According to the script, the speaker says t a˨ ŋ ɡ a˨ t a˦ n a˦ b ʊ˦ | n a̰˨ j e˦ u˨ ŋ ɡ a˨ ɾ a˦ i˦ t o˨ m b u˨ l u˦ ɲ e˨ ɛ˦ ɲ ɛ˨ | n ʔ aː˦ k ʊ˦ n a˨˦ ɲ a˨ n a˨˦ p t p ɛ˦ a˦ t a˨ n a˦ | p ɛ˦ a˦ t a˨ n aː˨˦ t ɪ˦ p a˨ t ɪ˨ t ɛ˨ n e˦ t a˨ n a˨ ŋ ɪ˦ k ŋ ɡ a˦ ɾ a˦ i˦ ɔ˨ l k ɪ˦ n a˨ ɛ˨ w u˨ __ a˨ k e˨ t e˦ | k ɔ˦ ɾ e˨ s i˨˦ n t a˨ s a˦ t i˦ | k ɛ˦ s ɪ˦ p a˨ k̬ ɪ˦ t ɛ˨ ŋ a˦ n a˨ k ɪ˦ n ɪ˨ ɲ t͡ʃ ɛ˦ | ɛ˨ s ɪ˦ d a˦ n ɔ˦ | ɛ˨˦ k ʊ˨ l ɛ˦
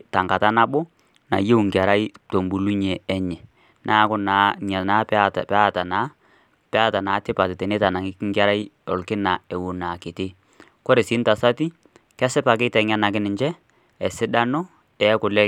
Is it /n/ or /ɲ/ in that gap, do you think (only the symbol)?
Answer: n